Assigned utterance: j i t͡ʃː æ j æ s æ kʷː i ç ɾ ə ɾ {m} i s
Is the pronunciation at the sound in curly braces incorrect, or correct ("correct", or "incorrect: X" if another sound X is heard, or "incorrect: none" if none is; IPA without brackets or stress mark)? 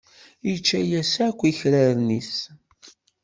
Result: incorrect: n